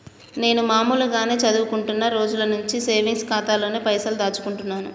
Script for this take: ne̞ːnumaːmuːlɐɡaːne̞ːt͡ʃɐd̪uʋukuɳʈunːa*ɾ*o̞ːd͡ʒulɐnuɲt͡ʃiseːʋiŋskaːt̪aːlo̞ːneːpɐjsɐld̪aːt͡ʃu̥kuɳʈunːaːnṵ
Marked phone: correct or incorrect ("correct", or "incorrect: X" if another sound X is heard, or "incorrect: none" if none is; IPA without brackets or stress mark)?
correct